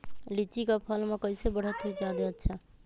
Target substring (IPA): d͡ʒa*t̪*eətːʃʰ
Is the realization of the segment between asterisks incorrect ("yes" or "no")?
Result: yes